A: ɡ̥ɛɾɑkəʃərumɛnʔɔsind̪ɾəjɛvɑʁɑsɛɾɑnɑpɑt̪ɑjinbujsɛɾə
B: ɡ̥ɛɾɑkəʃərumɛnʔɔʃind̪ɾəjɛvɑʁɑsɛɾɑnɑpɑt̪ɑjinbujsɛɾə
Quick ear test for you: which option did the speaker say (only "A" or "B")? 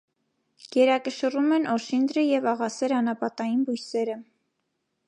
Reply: B